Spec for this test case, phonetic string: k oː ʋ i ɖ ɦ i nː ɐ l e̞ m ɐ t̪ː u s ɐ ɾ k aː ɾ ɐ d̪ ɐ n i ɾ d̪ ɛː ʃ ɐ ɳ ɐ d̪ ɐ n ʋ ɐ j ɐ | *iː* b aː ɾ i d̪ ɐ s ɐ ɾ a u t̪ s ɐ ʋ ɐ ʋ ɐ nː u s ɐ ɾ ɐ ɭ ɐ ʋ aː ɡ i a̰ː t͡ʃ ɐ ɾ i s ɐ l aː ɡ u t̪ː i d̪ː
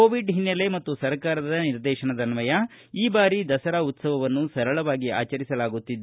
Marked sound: correct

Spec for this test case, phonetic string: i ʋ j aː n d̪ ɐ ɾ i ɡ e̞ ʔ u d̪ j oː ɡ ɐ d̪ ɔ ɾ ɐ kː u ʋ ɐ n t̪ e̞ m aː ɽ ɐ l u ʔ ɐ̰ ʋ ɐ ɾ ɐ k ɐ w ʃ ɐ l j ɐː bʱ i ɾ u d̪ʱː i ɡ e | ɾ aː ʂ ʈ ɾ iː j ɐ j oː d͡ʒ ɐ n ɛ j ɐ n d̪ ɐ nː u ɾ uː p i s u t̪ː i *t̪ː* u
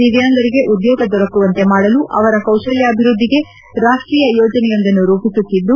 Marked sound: incorrect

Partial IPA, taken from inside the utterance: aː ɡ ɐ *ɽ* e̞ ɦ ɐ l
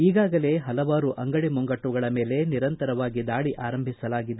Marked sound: incorrect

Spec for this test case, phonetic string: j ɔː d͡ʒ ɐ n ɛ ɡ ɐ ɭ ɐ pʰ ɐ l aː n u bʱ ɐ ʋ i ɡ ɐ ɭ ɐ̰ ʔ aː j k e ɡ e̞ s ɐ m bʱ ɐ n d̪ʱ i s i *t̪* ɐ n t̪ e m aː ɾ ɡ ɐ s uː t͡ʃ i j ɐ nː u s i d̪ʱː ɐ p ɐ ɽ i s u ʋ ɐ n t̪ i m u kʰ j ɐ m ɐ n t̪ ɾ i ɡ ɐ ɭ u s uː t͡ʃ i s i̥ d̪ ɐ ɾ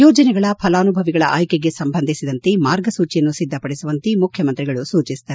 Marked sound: incorrect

